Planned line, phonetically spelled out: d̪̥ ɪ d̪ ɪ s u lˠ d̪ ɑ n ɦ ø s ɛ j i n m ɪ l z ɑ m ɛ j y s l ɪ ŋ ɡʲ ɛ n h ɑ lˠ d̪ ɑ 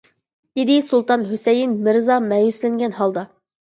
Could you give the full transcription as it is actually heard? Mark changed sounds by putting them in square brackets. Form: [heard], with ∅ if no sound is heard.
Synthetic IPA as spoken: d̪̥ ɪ d̪ ɪ s u lˠ [t̪] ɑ n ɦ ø s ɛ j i n m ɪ [ɾ] z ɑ m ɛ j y s l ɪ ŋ ɡʲ ɛ n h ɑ lˠ d̪ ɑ